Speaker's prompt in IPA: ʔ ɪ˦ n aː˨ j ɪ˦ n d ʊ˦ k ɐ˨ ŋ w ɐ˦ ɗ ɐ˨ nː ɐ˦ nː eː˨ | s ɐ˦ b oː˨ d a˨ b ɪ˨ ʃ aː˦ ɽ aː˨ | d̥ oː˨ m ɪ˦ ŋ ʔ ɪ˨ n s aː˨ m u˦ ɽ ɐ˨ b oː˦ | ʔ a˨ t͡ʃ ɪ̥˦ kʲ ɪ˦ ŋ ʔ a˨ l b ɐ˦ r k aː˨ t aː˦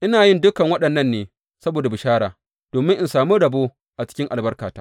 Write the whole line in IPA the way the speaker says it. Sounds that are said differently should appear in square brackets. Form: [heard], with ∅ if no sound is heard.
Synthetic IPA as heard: ʔ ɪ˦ n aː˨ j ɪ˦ n d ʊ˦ k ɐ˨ ŋ w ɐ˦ ɗ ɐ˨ nː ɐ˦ nː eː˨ | s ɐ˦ b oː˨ d a˨ b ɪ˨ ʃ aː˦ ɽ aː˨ | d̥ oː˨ m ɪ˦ ŋ ʔ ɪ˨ n s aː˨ m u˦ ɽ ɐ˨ b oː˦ | ʔ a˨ t͡ʃ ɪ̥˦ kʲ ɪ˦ ŋ ʔ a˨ l b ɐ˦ r k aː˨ t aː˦